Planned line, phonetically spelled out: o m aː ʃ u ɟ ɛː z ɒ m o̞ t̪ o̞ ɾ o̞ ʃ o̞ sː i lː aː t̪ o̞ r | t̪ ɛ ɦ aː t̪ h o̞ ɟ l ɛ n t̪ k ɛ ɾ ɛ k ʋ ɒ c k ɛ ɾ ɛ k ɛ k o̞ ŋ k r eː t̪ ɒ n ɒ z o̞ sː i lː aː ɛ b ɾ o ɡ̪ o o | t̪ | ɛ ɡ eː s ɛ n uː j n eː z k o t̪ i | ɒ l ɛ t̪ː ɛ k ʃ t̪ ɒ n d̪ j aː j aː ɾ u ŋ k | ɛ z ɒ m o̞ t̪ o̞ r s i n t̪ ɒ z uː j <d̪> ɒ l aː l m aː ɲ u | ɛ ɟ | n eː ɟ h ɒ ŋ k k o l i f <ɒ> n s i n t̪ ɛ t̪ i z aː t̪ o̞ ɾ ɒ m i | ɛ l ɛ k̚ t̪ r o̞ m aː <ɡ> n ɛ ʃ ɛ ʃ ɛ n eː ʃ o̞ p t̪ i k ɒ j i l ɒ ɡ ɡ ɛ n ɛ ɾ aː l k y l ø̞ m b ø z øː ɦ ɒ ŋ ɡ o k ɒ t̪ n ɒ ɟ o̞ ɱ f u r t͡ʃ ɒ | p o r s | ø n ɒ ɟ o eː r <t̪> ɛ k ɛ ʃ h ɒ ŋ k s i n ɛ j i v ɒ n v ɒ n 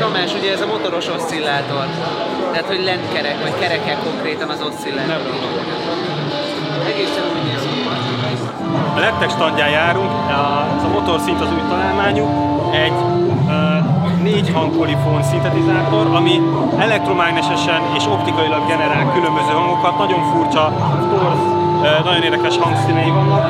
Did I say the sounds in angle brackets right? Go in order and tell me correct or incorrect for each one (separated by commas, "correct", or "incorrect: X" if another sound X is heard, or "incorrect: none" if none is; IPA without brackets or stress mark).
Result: incorrect: t̪, incorrect: o, correct, incorrect: d̪